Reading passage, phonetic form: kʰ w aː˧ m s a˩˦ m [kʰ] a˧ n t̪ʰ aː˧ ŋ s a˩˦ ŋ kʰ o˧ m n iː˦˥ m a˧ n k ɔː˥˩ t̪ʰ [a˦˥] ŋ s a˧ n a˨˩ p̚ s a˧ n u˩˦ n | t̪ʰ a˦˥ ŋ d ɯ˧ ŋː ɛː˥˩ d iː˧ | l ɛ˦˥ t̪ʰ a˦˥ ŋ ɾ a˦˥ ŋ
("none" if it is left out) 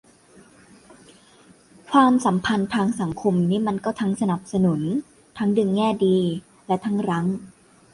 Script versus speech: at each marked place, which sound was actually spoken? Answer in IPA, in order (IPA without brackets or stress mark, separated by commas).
pʰ, a˦˥